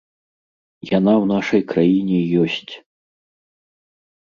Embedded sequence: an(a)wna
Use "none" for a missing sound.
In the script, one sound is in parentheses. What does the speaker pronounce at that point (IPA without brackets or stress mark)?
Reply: a